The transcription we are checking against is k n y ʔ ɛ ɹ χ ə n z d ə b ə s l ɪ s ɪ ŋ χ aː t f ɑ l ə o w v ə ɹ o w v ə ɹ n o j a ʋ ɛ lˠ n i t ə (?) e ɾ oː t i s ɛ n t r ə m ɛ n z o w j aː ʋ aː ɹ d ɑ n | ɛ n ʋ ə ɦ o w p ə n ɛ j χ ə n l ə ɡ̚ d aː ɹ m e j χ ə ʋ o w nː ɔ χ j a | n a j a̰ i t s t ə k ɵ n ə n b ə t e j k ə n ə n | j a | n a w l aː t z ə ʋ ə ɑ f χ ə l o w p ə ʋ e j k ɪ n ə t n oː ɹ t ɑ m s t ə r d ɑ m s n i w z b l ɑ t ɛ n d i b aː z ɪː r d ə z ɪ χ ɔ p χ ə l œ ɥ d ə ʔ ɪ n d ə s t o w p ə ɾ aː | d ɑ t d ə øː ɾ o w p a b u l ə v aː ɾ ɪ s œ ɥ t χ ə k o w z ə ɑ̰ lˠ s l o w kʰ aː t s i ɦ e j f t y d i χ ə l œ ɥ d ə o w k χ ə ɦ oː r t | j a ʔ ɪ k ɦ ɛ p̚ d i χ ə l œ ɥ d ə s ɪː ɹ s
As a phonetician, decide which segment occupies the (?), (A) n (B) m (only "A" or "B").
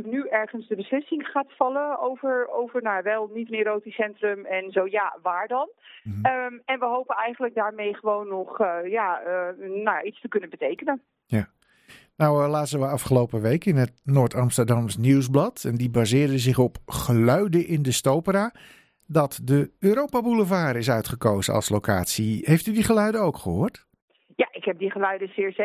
A